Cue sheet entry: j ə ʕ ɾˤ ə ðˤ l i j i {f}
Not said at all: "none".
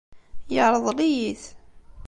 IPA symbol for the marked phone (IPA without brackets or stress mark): θ